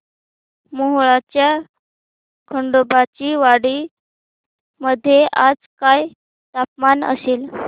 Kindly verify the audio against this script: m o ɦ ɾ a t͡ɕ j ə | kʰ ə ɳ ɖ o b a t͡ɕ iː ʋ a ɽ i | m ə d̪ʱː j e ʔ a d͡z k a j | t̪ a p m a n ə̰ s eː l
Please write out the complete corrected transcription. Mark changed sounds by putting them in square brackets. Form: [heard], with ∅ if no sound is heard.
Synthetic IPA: m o ɦ [ɭ] a t͡ɕ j [a] | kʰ ə ɳ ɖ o b a t͡ɕ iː ʋ a ɽ i | m ə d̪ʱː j e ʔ a d͡z k a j | t̪ a p m a n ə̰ s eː l

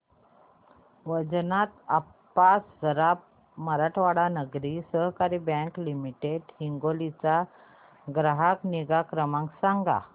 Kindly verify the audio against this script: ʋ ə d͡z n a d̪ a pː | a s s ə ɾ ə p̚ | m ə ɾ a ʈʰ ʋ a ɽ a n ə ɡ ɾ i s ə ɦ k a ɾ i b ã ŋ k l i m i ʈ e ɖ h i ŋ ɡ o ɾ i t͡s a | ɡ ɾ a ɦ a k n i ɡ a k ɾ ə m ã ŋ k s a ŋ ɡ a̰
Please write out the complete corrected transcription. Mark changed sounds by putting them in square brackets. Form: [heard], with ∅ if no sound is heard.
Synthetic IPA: ʋ ə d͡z n a [t̪] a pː | a s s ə ɾ [a] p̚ | m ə ɾ a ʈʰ ʋ a ɽ a n ə ɡ ɾ i s ə ɦ k a ɾ i b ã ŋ k l i m i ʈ e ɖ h i ŋ ɡ o [l] i t͡s a | ɡ ɾ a ɦ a k n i ɡ a k ɾ ə m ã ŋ k s a ŋ ɡ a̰

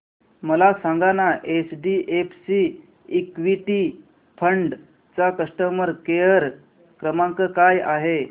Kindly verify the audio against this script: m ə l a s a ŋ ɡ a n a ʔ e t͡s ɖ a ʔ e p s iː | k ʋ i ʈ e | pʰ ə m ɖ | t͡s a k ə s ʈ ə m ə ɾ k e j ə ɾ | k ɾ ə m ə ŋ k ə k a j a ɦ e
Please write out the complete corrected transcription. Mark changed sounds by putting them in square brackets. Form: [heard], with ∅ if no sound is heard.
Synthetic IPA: m ə l a s a ŋ ɡ a n a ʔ e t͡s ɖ [i] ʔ e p s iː | k ʋ i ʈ [i] | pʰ ə [ɳ] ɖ | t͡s a k ə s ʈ ə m ə ɾ k e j ə ɾ | k ɾ ə m [a] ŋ k ə k a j a ɦ e

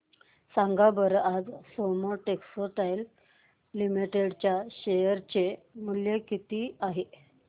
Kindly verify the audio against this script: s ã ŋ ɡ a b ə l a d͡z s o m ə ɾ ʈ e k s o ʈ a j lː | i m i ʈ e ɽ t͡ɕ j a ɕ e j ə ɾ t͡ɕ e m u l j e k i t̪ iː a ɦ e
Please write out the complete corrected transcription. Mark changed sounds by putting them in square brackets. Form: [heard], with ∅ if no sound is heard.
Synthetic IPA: s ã ŋ ɡ a b ə [ɾ] a d͡z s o m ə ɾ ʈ e k s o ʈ a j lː | i m i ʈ e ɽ t͡ɕ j a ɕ e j ə ɾ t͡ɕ e m u l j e k i t̪ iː a ɦ e

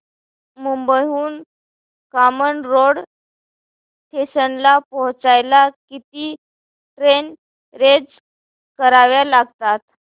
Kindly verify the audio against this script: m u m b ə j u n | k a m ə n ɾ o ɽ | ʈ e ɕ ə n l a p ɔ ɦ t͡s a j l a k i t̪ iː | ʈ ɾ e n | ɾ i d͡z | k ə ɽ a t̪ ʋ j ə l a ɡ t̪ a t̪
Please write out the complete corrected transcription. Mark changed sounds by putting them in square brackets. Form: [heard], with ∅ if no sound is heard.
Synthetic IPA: m u m b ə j [uː] n | k a m ə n ɾ o ɽ | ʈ e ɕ ə n l a p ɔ ɦ t͡s a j l a k i t̪ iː | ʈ ɾ e n | ɾ [e] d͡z | k ə [ɾ] a [∅] ʋ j [a] l a ɡ t̪ a t̪

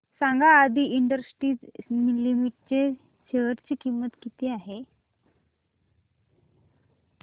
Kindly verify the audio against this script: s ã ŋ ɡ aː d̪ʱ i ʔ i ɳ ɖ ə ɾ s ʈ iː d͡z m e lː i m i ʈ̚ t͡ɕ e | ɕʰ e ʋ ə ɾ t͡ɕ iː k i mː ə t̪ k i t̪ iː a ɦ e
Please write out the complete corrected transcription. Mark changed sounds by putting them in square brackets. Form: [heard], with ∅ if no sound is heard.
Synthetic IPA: s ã ŋ ɡ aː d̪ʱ i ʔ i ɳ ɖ ə ɾ s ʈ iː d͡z m [i] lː i m i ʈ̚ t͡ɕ e | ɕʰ e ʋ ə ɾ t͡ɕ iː k i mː ə t̪ k i t̪ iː a ɦ e

